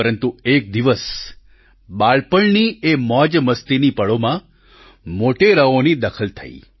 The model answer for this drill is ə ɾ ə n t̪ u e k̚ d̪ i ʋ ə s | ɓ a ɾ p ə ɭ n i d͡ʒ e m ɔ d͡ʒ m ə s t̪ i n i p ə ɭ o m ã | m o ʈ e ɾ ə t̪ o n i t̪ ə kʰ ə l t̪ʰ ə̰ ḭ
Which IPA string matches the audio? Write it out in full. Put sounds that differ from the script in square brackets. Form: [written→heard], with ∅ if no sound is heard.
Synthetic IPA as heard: ə ɾ ə n t̪ u e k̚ d̪ i ʋ ə s | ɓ a [ɾ→ɭ] p ə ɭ n i [d͡ʒ→∅] e m ɔ d͡ʒ m ə s t̪ i n i p ə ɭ o m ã | m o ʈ e ɾ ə [t̪→∅] o n i [t̪→d̪] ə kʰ ə l t̪ʰ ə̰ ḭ